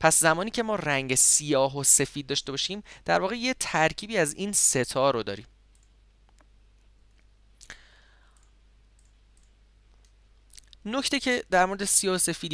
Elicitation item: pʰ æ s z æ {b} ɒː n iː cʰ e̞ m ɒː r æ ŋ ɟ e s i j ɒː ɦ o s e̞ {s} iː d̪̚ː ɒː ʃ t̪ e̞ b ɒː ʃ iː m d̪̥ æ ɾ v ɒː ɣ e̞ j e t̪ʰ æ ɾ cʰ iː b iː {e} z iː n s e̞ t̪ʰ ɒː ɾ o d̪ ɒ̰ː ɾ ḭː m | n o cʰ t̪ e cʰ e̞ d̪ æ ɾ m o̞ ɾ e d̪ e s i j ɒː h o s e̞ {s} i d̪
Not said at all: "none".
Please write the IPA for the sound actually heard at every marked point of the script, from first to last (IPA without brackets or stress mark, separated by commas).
m, f, æ, f